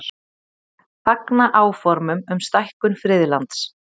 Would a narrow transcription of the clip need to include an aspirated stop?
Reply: no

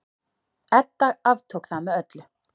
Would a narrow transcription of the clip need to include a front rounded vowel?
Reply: yes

